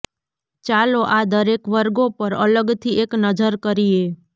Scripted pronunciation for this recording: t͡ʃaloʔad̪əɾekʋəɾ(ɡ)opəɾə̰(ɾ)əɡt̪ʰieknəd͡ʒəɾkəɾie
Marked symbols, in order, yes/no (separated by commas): yes, no